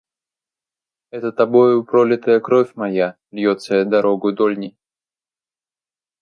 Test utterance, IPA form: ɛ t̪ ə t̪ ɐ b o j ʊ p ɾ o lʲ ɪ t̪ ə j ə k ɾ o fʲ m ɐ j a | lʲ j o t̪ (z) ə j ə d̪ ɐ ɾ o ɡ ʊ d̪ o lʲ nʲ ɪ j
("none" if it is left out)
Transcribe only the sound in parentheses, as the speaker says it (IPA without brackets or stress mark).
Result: s